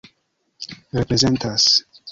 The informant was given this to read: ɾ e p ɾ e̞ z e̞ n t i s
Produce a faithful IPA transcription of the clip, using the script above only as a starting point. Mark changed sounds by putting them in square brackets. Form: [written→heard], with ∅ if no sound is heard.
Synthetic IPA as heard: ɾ e p ɾ e̞ z e̞ n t [i→a] s